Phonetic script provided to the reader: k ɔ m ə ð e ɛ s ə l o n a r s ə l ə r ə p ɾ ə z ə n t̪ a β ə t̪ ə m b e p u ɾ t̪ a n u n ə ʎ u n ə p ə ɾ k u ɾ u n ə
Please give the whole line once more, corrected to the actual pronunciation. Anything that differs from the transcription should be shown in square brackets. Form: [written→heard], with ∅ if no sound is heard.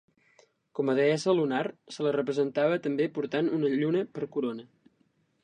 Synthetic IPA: k ɔ m ə ð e ɛ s ə l [o→u] n a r s ə l ə r ə p ɾ ə z ə n t̪ a β ə t̪ ə m b e p u ɾ t̪ a n u n ə ʎ u n ə p ə ɾ k u ɾ [u→o] n ə